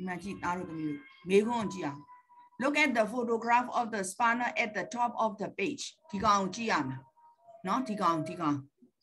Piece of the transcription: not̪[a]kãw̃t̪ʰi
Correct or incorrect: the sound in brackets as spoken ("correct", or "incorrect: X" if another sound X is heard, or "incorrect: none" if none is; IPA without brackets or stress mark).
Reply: incorrect: i